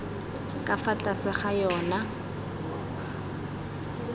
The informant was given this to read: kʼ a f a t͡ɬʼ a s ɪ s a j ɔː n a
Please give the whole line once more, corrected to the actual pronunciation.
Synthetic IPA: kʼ a f a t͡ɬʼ a s ɪ χ a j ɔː n a